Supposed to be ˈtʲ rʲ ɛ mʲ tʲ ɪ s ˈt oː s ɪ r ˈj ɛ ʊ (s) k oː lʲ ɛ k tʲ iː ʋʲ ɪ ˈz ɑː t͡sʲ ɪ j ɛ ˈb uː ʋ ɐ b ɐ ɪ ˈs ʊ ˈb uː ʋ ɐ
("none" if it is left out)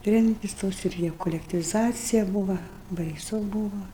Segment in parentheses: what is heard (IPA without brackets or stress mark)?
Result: none